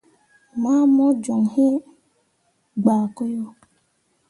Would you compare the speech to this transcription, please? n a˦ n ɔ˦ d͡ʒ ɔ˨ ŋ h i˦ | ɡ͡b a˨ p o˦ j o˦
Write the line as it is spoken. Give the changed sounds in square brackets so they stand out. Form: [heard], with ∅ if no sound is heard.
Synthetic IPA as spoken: [m] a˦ [m] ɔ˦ d͡ʒ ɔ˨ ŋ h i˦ | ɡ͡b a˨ [k] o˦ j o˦